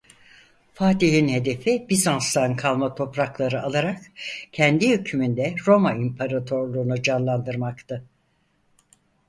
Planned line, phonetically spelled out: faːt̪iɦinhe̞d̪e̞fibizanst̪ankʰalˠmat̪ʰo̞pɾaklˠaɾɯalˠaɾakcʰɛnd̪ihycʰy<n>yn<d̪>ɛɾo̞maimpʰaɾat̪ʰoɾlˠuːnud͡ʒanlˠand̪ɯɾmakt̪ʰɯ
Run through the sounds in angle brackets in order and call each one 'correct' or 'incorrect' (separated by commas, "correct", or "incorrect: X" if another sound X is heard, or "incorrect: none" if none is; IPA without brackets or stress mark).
incorrect: m, correct